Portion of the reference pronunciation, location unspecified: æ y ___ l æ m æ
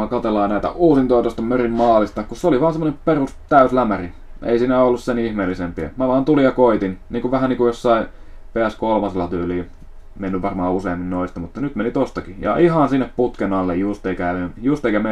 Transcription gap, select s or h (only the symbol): s